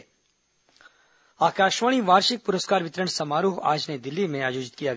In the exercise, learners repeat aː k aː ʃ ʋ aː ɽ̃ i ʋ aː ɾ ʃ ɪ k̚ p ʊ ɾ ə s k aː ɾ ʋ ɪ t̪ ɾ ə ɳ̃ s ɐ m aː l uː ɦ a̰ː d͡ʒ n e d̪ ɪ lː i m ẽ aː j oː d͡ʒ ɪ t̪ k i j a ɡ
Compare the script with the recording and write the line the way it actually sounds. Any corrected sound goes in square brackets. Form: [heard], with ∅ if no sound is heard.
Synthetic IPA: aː k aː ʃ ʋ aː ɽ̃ i ʋ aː ɾ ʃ ɪ k̚ p ʊ ɾ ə s k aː ɾ ʋ ɪ t̪ ɾ ə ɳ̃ s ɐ m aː [ɾ] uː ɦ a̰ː d͡ʒ n e d̪ ɪ lː i m ẽ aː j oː d͡ʒ ɪ t̪ k i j a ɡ